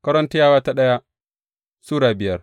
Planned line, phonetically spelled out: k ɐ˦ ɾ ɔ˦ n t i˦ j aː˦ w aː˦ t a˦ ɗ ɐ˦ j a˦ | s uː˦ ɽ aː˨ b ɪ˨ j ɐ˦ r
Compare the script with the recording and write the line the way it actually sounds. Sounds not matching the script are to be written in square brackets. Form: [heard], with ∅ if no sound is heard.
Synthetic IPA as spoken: k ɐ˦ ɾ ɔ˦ n t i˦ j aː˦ w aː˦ t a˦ ɗ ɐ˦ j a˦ | s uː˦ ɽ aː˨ b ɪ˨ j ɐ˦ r

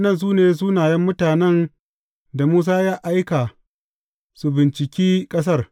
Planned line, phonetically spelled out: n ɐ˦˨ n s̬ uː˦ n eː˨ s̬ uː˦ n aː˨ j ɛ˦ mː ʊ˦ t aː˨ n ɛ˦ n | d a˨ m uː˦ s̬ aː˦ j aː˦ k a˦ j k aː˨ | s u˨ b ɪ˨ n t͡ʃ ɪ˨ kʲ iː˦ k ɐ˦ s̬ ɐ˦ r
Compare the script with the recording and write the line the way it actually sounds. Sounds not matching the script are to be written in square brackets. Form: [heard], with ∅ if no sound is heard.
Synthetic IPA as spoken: n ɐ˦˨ n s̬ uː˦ n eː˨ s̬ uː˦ n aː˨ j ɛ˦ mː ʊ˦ t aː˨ n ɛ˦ n | d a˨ m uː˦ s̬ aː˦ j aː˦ [ʔ] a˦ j k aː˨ | s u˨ b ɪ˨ n t͡ʃ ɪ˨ kʲ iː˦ [kʼ] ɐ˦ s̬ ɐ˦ r

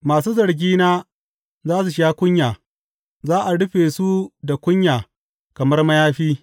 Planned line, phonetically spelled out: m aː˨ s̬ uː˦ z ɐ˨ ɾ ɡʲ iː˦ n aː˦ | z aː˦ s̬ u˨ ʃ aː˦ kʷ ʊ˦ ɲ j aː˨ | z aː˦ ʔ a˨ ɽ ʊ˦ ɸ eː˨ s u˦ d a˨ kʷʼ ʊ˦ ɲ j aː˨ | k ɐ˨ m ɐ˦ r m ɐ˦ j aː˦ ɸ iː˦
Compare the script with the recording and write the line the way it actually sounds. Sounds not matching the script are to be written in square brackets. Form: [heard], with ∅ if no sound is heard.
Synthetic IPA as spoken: m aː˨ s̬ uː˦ z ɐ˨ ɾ ɡʲ iː˦ n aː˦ | z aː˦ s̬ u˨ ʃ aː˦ kʷ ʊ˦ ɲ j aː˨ | z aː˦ ʔ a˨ ɽ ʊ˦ ɸ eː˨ s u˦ d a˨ [kʷ] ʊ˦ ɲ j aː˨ | k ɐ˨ m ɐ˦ r m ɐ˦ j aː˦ ɸ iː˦

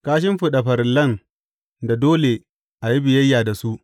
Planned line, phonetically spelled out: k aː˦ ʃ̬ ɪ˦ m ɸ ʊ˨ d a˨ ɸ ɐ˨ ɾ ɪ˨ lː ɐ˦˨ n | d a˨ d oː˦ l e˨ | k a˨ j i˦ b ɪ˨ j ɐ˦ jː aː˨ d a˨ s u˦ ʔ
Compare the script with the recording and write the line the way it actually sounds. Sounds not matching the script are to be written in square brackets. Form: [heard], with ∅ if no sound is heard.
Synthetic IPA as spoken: k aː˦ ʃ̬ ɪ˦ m ɸ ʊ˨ [ɗ] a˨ ɸ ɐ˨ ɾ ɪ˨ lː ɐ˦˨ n | d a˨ d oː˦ l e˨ | [ʔ] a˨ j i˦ b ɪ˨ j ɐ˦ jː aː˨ d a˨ s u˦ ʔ

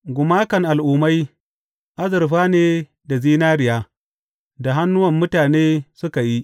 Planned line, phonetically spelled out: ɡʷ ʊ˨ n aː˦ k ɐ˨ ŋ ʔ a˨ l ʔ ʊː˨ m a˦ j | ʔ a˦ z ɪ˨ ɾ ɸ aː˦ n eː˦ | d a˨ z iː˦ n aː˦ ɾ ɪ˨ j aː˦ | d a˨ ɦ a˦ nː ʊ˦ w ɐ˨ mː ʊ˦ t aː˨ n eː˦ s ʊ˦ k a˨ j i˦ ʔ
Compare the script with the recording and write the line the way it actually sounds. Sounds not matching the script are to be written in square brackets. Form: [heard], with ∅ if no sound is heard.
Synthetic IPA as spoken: ɡʷ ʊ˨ [m] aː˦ k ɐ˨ ŋ ʔ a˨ l ʔ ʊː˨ m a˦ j | ʔ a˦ z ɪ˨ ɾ ɸ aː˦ n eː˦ | d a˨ z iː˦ n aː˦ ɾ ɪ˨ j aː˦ | d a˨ ɦ a˦ nː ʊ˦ w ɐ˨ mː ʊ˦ t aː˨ n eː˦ s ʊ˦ k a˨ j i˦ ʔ

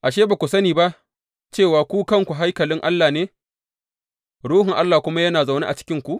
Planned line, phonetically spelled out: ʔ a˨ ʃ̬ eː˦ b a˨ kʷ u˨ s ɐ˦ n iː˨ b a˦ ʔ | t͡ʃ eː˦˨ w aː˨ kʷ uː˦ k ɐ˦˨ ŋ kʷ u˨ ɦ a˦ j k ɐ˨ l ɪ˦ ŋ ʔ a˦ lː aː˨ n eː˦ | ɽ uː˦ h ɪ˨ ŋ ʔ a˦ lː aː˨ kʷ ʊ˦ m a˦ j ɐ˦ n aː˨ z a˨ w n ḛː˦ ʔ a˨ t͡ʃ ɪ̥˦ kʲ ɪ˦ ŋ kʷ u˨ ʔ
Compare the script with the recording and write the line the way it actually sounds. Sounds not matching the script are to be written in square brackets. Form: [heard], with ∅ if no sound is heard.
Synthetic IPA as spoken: ʔ a˨ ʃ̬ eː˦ b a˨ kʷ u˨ s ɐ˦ n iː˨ b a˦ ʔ | t͡ʃ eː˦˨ w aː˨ kʷ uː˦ k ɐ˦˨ ŋ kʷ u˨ ɦ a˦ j k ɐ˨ l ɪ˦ ŋ ʔ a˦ lː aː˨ n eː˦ | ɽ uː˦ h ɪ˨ ŋ ʔ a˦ lː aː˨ kʷ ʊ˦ m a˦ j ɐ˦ n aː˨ z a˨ w n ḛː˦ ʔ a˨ t͡ʃ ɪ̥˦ kʲ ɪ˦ ŋ kʷ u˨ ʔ

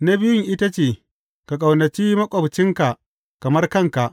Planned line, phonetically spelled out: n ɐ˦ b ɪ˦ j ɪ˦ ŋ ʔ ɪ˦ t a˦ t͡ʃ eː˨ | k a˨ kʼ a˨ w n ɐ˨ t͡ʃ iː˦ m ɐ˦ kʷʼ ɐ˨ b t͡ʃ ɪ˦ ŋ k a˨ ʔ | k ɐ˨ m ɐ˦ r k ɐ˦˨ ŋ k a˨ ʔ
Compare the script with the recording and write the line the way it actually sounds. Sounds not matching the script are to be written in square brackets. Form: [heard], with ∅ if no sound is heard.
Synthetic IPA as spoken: n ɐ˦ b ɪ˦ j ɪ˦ ŋ ʔ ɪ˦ t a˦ t͡ʃ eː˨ | k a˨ kʼ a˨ w n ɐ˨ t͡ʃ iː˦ m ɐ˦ kʷʼ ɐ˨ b t͡ʃ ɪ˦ ŋ k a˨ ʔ | k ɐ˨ m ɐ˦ r k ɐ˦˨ ŋ k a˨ ʔ

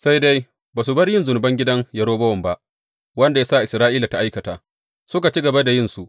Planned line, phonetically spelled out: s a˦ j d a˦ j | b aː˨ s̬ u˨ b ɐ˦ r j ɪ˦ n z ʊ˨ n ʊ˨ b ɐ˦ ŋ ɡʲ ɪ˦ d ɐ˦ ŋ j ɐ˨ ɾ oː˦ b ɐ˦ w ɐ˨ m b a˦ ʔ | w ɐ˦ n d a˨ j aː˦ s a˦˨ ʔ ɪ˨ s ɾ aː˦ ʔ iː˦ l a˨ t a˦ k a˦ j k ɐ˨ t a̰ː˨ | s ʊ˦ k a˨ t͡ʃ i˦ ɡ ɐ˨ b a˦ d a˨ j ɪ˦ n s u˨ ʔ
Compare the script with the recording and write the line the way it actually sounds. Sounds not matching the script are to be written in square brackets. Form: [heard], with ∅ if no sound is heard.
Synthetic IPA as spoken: s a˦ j d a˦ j | b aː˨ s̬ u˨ b ɐ˦ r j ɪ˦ n z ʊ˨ n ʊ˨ b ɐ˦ ŋ ɡʲ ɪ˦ d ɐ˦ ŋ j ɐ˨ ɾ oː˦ b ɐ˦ w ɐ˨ m b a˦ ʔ | w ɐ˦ n d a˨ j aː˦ s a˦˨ ʔ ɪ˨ s ɾ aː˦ ʔ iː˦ l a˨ t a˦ [ʔ] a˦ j k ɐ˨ t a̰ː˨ | s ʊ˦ k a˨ t͡ʃ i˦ ɡ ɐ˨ b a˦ d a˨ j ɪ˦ n s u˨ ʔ

